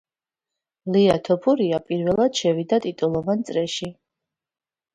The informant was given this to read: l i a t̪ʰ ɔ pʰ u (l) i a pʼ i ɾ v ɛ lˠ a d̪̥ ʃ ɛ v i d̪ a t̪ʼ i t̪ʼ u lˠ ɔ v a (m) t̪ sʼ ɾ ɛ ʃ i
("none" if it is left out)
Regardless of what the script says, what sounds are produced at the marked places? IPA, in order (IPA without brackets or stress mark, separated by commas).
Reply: ɾ, n